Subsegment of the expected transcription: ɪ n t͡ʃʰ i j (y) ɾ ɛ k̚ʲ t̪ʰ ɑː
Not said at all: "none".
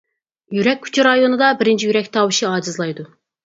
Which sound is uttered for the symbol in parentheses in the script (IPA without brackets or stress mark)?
y